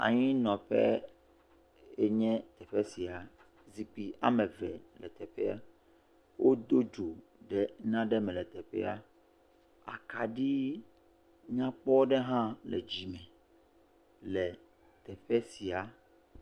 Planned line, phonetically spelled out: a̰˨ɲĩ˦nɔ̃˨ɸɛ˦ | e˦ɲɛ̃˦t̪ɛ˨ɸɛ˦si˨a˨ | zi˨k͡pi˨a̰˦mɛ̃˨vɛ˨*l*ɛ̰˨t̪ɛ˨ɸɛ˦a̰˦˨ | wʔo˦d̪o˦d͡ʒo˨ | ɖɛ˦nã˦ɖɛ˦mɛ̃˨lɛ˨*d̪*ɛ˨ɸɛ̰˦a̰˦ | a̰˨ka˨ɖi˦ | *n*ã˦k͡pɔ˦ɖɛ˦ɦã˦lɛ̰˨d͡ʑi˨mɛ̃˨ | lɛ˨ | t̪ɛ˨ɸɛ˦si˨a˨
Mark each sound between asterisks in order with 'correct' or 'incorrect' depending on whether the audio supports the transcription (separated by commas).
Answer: correct, incorrect, incorrect